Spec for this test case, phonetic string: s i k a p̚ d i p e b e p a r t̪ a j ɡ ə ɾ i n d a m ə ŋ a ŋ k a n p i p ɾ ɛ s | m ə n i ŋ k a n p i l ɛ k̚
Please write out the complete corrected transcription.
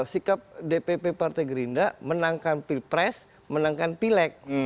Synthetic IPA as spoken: s i k a p̚ d e p e p e p a r t̪ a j ɡ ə ɾ i n d a m ə n a ŋ k a n p i p ɾ ɛ s | m ə n a ŋ k a n p i l ɛ k̚